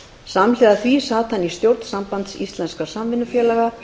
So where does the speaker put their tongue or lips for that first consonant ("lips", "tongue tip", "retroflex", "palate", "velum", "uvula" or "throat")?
tongue tip